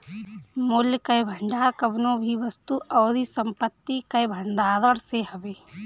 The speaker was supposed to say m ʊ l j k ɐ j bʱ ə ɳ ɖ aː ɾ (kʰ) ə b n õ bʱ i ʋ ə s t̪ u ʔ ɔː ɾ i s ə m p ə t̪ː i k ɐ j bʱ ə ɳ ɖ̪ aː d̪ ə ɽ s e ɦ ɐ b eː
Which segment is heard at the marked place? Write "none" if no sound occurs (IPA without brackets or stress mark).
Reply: k